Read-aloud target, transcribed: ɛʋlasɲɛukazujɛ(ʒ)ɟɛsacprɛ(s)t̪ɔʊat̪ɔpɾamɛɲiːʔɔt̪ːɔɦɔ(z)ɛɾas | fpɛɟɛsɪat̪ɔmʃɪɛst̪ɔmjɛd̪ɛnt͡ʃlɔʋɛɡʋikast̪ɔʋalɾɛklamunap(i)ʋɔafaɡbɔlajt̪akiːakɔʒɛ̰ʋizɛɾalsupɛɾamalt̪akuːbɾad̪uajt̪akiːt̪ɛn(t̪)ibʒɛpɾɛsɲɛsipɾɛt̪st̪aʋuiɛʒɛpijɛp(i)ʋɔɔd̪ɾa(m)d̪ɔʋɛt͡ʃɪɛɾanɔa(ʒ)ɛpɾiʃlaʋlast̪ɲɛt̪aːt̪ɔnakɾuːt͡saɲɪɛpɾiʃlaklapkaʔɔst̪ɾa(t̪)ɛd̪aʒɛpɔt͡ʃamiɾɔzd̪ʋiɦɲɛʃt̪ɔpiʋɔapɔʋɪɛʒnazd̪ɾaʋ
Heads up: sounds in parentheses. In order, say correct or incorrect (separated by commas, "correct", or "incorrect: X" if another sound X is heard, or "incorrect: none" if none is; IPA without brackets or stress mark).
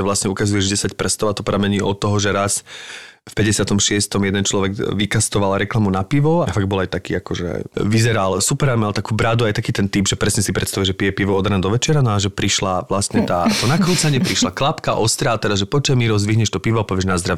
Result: correct, correct, incorrect: ʒ, correct, correct, correct, incorrect: n, correct, correct